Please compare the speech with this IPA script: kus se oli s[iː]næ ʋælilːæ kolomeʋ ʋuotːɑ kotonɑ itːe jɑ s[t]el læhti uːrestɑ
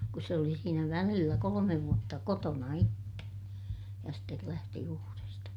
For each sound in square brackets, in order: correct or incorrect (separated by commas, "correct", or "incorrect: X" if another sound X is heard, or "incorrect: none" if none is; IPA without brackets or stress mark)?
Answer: correct, correct